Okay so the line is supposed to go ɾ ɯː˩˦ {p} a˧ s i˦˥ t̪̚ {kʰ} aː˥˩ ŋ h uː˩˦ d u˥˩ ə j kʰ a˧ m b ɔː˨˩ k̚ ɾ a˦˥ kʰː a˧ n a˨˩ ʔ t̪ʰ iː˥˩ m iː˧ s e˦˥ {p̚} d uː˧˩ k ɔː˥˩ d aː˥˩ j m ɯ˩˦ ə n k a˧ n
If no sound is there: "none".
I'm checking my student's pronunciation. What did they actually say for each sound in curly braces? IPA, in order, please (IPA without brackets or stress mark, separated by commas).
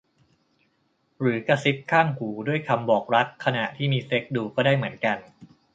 k, kʰ, k̚